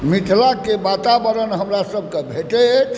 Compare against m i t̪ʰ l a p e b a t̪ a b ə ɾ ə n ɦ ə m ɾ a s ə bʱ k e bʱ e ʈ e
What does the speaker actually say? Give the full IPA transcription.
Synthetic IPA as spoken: m i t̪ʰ l a k e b a t̪ a b ə ɾ ə n ɦ ə m ɾ a s ə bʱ k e bʱ e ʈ e